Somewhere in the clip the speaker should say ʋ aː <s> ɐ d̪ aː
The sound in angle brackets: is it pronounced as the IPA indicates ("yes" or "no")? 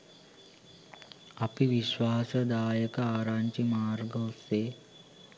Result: yes